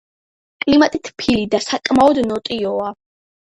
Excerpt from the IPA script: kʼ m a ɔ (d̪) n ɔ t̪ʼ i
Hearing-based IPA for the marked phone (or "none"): d̪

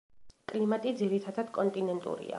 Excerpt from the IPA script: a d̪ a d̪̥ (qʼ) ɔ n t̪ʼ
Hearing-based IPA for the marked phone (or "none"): kʼ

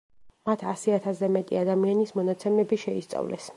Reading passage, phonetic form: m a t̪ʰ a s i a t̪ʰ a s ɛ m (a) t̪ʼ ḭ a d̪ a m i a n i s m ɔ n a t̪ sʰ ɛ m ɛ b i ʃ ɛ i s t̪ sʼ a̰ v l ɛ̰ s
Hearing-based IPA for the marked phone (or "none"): ɛ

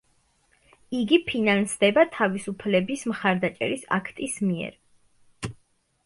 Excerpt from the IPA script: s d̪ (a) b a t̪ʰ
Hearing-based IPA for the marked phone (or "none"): ɛ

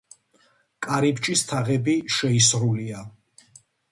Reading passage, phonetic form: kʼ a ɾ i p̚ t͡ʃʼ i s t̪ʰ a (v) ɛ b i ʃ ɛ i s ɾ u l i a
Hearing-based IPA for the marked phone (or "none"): ʁ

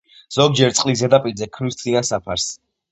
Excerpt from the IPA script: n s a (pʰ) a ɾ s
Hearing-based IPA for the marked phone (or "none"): pʰ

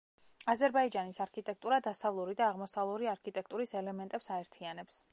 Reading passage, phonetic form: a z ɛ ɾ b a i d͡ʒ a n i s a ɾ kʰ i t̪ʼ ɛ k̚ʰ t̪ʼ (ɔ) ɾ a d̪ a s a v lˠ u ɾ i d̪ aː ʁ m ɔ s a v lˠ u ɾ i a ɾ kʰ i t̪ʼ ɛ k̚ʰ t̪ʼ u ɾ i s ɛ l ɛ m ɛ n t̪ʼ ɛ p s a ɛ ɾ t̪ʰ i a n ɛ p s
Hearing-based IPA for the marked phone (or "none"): u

